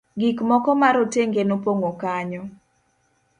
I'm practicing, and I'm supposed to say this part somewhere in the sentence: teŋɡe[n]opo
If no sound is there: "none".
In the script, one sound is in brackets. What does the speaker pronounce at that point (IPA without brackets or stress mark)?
n